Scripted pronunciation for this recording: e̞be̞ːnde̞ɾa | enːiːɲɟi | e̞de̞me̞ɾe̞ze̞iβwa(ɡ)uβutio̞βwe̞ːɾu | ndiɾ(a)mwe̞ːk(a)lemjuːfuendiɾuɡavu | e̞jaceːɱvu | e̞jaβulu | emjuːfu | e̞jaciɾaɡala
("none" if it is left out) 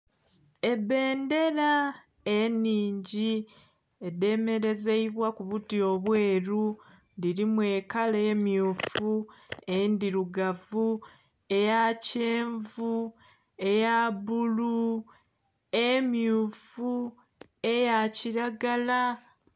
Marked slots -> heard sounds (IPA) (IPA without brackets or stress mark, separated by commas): k, i, a